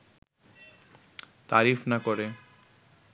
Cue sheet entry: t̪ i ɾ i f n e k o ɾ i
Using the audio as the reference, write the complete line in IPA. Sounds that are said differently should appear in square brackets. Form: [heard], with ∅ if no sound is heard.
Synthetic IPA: t̪ [a] ɾ i f n [a] k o ɾ [e]